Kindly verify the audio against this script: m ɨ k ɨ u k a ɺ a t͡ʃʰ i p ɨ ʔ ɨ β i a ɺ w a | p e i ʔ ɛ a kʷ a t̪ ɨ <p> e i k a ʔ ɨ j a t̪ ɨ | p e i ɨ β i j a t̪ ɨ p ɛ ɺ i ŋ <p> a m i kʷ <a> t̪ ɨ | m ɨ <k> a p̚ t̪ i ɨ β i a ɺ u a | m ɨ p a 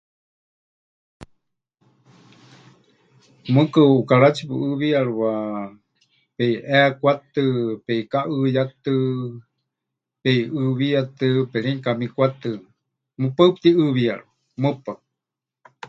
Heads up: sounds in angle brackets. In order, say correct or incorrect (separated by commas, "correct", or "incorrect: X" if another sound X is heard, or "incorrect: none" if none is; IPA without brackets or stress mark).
correct, incorrect: k, correct, incorrect: p